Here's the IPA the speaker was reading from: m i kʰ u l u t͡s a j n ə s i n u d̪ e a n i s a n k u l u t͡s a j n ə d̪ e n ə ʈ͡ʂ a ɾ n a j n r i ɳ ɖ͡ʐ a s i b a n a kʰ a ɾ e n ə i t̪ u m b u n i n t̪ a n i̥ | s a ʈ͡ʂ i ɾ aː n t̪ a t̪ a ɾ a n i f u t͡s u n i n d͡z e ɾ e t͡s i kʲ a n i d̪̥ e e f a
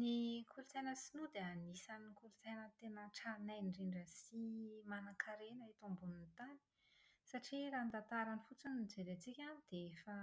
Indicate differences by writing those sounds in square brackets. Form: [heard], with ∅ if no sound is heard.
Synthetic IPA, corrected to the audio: [n] i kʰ u l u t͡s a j n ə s i n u d̪ e a n i s a n k u l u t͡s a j n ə [t̪] e n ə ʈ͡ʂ a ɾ n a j n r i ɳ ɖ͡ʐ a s i [m] a n a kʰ a ɾ e n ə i t̪ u m b u n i n t̪ a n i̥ | s a ʈ͡ʂ i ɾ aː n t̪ a t̪ a ɾ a n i f u t͡s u n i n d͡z e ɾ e t͡s i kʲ a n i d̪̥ e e f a